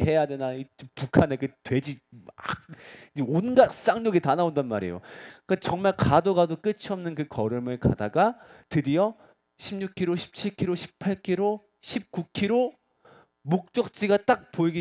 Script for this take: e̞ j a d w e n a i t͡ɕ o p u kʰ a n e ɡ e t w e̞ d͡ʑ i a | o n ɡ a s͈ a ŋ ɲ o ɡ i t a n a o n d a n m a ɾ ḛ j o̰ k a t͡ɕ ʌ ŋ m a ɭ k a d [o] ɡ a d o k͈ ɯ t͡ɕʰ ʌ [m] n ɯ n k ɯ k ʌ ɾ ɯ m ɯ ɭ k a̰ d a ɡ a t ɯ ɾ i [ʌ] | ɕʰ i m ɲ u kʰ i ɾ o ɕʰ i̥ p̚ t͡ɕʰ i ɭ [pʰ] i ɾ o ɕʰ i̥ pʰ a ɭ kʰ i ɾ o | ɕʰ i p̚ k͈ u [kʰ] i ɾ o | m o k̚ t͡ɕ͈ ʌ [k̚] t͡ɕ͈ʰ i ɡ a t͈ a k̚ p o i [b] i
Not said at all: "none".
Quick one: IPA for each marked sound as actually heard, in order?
o, m, ʌ, kʰ, kʰ, k̚, ɡ

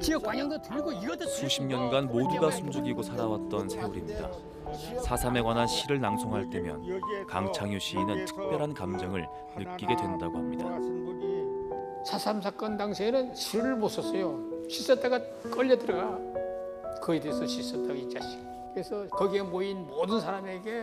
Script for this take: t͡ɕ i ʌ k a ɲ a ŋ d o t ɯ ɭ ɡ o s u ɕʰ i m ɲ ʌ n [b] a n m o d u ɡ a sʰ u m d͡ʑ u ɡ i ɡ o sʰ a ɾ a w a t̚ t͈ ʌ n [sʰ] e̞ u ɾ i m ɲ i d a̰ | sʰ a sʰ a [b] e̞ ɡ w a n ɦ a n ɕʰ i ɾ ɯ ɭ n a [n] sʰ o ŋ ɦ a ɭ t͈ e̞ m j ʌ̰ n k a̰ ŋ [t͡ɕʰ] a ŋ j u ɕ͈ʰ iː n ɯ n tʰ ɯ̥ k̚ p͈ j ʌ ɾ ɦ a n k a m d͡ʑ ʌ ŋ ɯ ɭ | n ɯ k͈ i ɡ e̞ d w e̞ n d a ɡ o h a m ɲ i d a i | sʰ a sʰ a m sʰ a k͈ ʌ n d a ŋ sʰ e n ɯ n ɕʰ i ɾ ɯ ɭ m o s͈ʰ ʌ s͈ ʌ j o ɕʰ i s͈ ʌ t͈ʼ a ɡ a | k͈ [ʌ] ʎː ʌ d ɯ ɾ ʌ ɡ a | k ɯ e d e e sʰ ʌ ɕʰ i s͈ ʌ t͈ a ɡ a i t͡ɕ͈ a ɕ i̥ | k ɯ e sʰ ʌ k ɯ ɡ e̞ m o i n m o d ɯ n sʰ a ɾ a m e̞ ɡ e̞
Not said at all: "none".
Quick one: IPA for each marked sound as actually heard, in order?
ɡ, sʰ, m, ŋ, t͡ɕʰ, ʌ

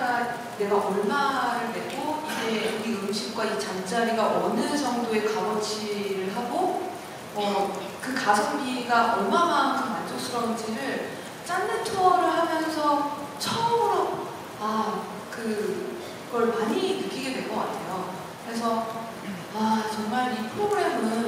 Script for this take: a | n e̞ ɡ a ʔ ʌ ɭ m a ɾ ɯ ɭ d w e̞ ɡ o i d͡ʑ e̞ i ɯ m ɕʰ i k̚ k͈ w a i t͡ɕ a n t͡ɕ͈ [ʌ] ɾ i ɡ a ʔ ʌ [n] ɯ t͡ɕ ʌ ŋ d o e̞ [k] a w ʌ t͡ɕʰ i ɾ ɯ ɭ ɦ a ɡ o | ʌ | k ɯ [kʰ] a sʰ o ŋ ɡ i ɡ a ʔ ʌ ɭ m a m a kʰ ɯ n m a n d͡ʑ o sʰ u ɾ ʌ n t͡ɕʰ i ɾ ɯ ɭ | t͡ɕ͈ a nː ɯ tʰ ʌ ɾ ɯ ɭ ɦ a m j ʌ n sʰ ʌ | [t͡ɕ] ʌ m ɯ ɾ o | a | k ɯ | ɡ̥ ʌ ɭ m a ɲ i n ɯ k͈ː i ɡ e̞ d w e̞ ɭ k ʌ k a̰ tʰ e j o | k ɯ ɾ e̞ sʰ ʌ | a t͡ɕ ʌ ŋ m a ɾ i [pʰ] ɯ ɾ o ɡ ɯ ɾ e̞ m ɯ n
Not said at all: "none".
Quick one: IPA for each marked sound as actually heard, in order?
a, n, k, k, t͡ɕʰ, pʰ

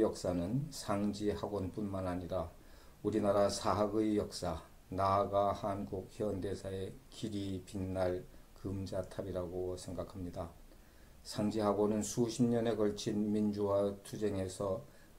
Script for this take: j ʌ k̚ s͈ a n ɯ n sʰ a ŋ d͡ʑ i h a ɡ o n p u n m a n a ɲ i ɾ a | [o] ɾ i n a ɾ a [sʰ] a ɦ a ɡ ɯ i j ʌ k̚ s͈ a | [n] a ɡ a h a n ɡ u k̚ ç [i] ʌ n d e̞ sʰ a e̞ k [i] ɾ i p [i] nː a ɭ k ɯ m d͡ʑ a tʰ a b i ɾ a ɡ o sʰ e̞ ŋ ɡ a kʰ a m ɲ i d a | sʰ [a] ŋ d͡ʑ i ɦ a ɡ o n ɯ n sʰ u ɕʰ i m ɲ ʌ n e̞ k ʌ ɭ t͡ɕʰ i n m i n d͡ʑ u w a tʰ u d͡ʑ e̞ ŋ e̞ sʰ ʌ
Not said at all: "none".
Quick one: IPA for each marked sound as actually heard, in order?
u, sʰ, n, j, i, i, a

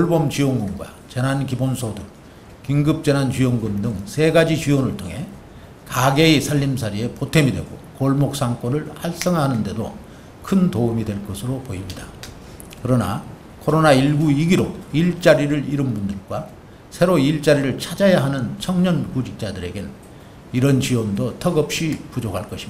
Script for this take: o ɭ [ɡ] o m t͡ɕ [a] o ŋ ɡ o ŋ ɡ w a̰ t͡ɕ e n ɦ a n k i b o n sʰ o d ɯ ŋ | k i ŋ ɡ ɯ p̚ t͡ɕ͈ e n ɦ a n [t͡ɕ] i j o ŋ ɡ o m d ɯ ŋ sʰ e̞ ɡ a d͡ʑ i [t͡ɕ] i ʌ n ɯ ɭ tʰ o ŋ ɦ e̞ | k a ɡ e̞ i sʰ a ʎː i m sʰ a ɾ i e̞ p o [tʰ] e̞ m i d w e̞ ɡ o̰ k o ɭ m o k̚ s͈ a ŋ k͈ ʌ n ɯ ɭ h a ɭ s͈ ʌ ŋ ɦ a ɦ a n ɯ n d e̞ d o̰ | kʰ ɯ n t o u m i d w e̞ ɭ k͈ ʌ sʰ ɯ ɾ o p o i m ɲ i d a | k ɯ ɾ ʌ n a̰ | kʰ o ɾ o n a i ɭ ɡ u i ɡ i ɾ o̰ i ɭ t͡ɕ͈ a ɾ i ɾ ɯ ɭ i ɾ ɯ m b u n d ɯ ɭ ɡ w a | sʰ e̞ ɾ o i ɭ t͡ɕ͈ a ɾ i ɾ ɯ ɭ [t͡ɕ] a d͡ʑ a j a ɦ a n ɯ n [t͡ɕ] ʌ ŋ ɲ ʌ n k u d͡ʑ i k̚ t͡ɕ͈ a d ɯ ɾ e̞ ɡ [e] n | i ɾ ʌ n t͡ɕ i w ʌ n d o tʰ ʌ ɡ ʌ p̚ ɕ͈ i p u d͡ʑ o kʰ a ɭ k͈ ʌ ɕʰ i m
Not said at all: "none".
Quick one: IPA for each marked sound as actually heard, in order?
b, i, t͡ɕ, t͡ɕ, tʰ, t͡ɕʰ, t͡ɕʰ, e

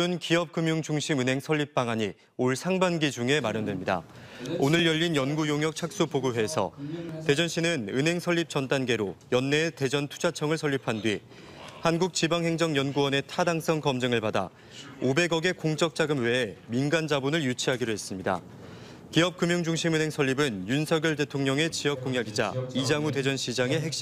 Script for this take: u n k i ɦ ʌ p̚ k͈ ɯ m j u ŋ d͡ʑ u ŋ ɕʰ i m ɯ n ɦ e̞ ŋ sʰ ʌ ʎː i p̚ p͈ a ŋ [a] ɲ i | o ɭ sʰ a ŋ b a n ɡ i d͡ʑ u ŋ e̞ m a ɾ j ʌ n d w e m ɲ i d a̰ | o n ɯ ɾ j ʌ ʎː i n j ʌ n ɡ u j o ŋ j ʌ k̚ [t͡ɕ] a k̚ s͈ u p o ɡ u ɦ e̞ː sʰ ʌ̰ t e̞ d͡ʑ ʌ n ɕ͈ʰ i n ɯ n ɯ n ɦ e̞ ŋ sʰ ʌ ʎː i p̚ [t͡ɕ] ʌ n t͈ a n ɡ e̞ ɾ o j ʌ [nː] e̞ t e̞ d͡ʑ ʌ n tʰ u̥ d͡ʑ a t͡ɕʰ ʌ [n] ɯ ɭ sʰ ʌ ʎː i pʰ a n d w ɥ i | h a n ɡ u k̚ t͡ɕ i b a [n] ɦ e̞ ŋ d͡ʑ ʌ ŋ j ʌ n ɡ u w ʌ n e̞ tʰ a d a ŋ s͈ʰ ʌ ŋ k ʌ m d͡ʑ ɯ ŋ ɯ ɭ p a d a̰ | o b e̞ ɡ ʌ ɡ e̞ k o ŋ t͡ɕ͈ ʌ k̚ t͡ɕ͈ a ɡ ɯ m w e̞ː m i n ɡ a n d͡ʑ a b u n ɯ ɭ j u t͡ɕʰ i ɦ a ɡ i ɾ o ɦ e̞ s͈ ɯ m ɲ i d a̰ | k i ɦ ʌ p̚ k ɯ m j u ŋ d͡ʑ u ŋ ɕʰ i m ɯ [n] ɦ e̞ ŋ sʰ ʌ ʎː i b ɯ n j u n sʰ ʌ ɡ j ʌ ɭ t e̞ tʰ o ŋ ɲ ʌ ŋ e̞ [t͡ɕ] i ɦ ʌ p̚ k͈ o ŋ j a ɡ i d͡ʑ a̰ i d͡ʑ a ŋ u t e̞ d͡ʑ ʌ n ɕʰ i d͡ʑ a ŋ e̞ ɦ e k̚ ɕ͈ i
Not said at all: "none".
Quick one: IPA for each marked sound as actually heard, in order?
a, t͡ɕʰ, t͡ɕ, nː, ŋ, ŋ, n, t͡ɕ

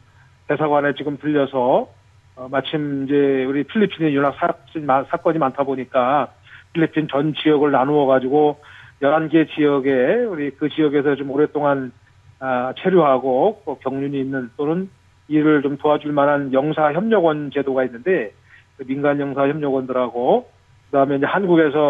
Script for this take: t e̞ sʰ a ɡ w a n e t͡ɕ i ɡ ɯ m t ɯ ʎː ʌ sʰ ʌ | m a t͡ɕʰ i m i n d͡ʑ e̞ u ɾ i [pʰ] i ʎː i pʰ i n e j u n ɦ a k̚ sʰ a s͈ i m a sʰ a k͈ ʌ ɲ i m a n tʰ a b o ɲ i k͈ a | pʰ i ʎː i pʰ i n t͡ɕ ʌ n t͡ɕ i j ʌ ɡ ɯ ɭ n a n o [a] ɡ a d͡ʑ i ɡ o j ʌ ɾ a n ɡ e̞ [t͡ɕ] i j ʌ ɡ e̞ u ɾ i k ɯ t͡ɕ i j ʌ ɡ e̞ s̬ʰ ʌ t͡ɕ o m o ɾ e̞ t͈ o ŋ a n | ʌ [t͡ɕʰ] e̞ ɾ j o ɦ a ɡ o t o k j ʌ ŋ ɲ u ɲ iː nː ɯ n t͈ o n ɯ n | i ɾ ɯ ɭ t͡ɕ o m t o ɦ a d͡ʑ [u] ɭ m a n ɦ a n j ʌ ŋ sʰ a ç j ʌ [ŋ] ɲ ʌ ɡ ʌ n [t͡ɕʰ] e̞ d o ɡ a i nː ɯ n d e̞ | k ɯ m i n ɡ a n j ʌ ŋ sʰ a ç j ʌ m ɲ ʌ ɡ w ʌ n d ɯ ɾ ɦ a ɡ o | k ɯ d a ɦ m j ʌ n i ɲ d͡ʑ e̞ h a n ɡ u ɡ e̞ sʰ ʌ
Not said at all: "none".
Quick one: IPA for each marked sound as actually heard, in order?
pʰ, ʌ, t͡ɕ, t͡ɕʰ, u, m, t͡ɕ

